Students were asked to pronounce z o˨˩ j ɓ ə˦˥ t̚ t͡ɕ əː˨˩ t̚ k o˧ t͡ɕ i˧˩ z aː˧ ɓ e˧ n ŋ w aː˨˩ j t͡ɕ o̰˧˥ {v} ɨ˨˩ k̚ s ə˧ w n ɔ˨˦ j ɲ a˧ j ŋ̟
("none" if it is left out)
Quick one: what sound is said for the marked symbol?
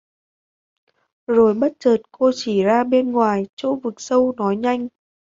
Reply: v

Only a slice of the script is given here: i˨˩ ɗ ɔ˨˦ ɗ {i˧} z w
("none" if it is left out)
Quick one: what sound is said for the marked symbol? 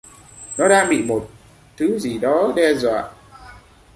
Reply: ɛ˧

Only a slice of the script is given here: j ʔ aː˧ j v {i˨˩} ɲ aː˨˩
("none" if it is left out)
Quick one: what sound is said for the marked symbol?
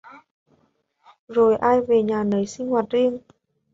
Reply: e˨˩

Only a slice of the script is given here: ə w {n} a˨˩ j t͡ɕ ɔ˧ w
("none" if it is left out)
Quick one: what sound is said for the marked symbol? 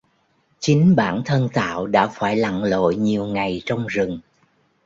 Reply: ŋ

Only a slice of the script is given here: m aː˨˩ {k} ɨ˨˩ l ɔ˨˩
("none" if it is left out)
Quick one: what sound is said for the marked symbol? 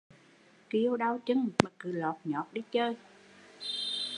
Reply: k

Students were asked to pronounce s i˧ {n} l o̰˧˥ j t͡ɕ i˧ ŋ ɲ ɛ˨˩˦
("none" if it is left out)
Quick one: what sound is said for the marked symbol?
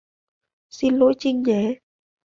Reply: n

